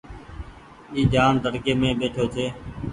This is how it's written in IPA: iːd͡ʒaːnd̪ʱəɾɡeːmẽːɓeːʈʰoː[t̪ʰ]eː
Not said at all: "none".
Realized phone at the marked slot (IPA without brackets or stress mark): t̪ʰ